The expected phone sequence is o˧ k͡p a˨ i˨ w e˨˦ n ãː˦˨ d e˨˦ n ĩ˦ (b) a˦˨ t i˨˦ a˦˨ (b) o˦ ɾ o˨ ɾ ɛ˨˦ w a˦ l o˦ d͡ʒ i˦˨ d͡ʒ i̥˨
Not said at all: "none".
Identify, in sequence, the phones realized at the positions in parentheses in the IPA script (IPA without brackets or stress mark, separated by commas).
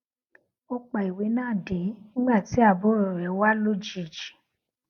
ɡ͡b, b